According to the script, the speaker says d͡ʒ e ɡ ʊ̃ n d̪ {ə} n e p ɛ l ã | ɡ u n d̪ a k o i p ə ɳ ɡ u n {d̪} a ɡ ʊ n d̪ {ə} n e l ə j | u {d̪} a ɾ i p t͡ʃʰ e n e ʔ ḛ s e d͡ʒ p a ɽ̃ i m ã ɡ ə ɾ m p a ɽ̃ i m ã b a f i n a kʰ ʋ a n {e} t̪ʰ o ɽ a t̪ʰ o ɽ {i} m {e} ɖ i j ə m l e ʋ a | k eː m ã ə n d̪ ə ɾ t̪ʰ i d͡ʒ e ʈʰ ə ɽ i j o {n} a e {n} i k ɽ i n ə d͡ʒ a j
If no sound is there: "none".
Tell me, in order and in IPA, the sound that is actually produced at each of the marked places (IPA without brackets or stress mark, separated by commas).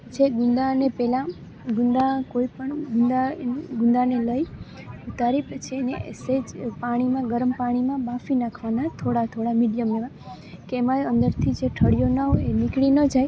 a, d̪, a, t̪, a, a, i, n, n